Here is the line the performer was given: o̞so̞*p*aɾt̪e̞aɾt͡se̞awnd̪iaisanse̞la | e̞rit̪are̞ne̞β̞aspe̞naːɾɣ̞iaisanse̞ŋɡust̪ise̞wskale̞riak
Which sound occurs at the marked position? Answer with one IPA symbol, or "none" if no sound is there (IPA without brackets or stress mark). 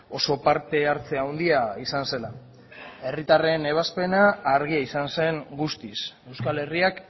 p